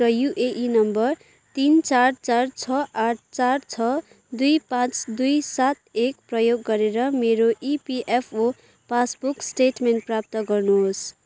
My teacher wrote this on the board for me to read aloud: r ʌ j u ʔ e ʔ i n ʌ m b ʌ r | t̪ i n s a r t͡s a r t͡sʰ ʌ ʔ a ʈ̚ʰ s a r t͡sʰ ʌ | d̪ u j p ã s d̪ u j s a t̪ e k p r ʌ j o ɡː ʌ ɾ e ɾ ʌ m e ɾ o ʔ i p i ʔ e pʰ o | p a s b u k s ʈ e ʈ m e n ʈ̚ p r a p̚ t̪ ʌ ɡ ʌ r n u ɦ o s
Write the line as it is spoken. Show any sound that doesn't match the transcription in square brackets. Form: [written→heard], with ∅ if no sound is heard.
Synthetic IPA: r ʌ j u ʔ e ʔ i n ʌ m b ʌ r | t̪ i n [s→t͡s] a r t͡s a r t͡sʰ ʌ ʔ a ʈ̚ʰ [s→t͡s] a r t͡sʰ ʌ | d̪ u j p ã [s→t͡s] d̪ u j s a t̪ e k p r ʌ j o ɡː ʌ ɾ e ɾ ʌ m e ɾ o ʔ i p i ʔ e pʰ o | p a s b u k s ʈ e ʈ m e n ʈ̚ p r a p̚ t̪ ʌ ɡ ʌ r n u ɦ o s